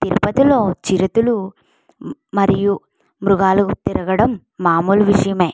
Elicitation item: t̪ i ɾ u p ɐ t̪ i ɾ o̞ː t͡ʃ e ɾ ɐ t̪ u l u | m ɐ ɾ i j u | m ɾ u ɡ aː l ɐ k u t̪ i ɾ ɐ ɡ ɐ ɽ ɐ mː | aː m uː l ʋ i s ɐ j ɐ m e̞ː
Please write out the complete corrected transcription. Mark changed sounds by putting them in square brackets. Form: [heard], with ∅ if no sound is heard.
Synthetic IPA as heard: t̪ i ɾ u p ɐ t̪ i [l] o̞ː t͡ʃ [i] ɾ ɐ t̪ u l u | m ɐ ɾ i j u | m ɾ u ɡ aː l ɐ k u t̪ i ɾ ɐ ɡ ɐ ɽ ɐ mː | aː m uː l ʋ i [ʂ] ɐ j ɐ m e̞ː